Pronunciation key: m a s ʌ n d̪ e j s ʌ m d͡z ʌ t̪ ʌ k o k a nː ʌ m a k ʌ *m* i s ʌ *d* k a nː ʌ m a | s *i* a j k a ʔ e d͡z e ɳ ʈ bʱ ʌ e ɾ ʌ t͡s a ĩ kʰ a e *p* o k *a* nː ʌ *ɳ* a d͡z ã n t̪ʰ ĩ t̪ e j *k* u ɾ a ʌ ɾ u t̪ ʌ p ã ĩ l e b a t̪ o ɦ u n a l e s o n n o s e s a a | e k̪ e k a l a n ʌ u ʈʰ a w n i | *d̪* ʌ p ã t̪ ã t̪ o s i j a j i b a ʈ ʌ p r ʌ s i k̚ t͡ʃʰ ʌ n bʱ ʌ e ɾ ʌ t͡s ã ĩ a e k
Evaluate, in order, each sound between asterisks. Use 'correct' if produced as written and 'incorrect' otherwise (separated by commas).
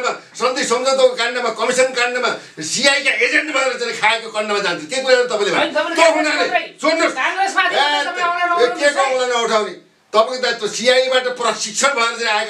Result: correct, incorrect, correct, incorrect, incorrect, incorrect, correct, incorrect